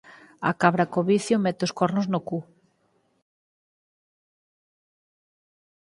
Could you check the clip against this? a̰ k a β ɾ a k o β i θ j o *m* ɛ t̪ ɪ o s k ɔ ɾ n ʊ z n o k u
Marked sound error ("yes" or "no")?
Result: no